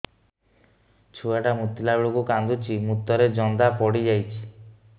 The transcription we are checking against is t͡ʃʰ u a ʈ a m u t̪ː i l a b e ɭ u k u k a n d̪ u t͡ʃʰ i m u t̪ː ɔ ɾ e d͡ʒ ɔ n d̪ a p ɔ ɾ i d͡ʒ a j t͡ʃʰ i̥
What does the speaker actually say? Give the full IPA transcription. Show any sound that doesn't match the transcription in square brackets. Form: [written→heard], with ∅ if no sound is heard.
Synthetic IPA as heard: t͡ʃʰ u a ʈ a m u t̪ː i l a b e ɭ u k u k a n d̪ u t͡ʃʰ i m u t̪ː ɔ ɾ e d͡ʒ ɔ n d̪ a p ɔ [ɾ→ɽ] i d͡ʒ a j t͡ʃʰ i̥